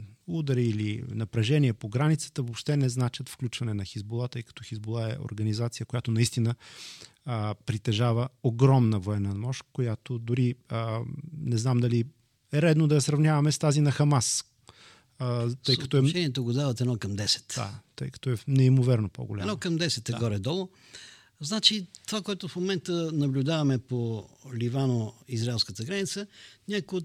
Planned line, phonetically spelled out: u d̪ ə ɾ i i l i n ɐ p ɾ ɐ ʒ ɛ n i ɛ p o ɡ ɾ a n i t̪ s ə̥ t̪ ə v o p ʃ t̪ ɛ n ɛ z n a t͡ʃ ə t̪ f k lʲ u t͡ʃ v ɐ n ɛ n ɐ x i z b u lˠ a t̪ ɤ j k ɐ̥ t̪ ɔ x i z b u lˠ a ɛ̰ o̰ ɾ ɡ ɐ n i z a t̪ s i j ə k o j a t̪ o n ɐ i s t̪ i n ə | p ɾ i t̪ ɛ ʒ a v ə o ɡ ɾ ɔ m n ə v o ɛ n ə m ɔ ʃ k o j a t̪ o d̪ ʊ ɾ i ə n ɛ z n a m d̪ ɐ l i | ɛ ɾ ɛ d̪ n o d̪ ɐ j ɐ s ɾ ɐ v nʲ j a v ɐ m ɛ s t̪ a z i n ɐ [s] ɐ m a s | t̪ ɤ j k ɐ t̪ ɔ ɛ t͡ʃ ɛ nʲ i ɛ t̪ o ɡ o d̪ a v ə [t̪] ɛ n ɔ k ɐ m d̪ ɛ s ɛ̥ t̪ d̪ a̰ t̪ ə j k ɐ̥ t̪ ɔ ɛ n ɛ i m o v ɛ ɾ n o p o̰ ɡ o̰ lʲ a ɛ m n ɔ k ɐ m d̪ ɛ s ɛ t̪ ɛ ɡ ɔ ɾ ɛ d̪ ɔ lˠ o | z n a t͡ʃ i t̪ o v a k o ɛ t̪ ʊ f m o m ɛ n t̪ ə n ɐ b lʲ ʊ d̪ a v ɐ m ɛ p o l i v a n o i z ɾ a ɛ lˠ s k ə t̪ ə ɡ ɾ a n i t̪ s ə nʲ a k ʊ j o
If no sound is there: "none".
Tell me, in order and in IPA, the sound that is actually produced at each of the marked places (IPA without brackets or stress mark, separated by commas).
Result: x, t̪